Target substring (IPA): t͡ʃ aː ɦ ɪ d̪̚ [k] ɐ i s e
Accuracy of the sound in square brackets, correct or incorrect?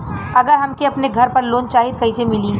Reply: correct